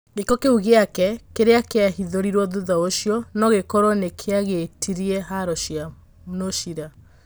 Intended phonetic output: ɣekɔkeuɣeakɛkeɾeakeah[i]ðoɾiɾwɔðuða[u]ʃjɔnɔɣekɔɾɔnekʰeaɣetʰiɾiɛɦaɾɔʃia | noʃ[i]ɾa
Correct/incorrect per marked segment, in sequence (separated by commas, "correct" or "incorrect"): correct, incorrect, correct